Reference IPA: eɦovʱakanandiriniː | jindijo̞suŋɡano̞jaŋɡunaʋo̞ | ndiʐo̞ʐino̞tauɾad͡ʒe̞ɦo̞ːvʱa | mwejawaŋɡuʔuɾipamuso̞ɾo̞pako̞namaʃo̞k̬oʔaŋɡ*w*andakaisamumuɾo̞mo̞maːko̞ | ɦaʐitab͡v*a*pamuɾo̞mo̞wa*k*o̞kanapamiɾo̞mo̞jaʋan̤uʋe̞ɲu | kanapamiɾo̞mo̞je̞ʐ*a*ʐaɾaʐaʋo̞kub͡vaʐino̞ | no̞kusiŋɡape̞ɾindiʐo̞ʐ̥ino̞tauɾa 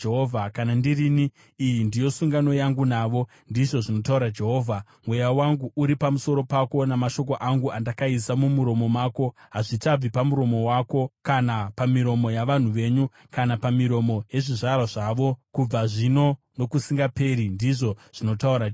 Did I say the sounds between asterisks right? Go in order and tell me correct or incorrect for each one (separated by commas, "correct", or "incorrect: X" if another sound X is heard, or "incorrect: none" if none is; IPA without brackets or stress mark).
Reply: incorrect: u, incorrect: i, correct, incorrect: i